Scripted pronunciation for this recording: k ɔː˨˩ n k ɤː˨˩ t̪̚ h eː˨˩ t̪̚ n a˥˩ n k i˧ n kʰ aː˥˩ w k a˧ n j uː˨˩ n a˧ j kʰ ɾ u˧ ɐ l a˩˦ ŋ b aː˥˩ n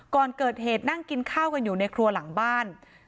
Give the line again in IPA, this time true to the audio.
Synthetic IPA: k ɔː˨˩ n k ɤː˨˩ t̪̚ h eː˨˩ t̪̚ n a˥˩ ŋ k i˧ n kʰ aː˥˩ w k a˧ n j uː˨˩ n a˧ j kʰ ɾ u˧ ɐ l a˩˦ ŋ b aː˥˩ n

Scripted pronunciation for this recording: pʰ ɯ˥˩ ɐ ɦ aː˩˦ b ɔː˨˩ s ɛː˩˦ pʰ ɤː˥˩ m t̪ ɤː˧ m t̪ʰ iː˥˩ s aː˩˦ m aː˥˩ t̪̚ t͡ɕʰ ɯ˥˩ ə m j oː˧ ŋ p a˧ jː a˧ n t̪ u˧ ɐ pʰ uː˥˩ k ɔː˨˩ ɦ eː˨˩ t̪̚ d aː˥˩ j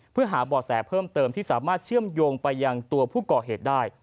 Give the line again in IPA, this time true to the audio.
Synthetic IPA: pʰ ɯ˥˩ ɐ ɦ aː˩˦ b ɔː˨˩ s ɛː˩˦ pʰ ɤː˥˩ m t̪ ɤː˧ m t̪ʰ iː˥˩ s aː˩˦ m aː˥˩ t̪̚ t͡ɕʰ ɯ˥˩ ə m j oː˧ ŋ p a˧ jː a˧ ŋ t̪ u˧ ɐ pʰ uː˥˩ k ɔː˨˩ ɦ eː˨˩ t̪̚ d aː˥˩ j

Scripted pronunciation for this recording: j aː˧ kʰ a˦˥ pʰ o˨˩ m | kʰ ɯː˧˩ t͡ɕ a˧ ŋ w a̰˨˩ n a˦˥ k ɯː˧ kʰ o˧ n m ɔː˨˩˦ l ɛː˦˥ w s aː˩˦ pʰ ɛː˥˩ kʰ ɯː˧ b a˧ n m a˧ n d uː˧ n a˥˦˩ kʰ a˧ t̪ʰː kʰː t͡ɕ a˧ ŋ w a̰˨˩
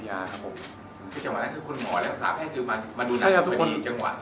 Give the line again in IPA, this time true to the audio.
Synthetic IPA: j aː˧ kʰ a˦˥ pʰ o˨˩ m | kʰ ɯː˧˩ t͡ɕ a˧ ŋ w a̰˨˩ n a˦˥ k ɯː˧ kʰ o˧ n m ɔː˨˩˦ l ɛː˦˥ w s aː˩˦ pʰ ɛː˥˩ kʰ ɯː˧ m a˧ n m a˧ n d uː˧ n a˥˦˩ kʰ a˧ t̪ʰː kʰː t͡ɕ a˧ ŋ w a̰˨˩

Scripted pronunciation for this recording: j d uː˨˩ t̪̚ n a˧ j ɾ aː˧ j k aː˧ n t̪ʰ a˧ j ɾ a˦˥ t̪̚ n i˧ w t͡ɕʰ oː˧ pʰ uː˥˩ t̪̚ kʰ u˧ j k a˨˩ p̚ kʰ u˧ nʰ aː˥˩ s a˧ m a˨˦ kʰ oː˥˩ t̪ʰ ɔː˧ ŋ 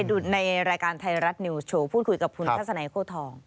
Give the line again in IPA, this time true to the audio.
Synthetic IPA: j d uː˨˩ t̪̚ n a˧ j ɾ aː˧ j k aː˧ n t̪ʰ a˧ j ɾ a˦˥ t̪̚ n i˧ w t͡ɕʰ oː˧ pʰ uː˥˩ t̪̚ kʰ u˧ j k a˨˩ p̚ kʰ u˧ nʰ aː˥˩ s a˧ n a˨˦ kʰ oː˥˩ t̪ʰ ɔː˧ ŋ

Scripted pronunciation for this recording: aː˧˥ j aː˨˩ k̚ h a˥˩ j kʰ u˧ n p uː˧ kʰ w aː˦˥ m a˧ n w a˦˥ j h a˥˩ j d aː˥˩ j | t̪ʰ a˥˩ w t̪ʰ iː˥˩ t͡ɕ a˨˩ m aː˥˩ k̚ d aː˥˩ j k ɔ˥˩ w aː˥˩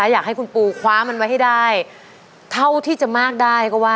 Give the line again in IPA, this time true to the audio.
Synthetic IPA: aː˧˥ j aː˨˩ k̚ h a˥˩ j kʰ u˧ n p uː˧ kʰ w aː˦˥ m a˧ n w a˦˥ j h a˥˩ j d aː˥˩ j | t̪ʰ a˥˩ w t̪ʰ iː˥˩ t͡ɕ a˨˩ m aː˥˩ k̚ d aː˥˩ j k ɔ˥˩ w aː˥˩

